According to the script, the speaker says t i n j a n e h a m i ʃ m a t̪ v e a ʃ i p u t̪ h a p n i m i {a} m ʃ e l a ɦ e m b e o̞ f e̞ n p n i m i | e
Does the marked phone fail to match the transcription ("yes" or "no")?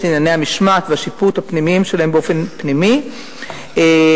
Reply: yes